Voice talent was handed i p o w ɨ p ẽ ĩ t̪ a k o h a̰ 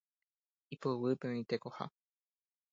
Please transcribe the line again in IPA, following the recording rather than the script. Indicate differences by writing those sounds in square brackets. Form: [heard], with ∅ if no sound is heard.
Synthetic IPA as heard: i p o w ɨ p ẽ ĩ t̪ [e] k o h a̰